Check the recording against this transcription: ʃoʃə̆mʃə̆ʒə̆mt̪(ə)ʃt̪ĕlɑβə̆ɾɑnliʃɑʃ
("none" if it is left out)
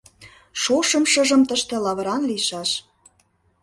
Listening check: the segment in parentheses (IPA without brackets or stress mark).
ə